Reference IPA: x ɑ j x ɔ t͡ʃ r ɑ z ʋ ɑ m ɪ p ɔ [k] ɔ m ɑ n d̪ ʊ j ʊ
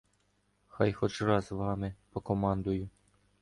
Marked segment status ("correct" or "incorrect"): correct